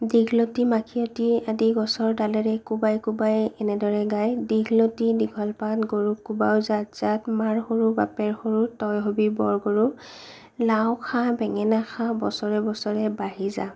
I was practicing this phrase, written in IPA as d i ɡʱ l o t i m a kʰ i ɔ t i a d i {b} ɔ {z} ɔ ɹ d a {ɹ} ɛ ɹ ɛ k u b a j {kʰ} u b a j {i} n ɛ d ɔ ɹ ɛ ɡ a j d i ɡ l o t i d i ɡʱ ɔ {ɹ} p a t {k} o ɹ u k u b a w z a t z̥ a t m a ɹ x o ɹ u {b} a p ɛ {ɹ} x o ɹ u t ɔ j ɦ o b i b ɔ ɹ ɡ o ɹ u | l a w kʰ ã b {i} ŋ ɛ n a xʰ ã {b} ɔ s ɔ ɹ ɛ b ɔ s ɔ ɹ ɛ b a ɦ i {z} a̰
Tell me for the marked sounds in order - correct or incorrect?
incorrect, incorrect, incorrect, incorrect, incorrect, incorrect, incorrect, correct, correct, incorrect, correct, correct

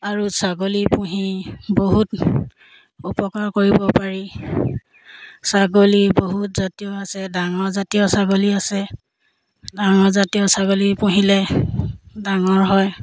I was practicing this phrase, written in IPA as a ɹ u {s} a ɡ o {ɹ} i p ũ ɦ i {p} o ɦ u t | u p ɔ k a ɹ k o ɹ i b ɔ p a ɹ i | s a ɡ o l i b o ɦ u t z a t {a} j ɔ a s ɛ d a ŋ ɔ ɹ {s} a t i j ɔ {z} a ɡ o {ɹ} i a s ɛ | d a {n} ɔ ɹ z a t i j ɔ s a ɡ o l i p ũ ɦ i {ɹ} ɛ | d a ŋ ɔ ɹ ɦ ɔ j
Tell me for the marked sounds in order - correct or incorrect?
correct, incorrect, incorrect, incorrect, incorrect, incorrect, incorrect, incorrect, incorrect

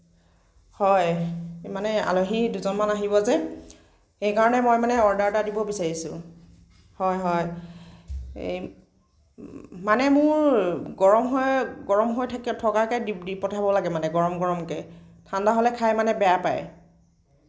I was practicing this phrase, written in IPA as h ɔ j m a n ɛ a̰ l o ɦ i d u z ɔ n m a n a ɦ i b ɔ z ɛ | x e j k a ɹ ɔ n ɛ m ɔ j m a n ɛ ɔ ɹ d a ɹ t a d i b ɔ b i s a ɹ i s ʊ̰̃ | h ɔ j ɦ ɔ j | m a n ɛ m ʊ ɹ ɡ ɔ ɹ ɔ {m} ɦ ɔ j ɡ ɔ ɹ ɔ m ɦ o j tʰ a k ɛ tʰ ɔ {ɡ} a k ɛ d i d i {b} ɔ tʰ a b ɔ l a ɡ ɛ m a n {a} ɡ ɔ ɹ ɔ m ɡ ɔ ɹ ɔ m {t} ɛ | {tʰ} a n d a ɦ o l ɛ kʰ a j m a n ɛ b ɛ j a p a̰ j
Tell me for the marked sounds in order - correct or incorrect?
correct, incorrect, incorrect, incorrect, incorrect, correct

